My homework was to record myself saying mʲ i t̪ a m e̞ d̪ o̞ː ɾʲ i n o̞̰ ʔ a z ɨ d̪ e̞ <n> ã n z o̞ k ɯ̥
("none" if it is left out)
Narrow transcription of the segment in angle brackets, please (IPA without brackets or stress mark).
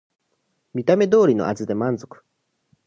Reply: m